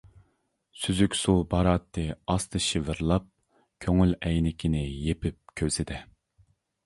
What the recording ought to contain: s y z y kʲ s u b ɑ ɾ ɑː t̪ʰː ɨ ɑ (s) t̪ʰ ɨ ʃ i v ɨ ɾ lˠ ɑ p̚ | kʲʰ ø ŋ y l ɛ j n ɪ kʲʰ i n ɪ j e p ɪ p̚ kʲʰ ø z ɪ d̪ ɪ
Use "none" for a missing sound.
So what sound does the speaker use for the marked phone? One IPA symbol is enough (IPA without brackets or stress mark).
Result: s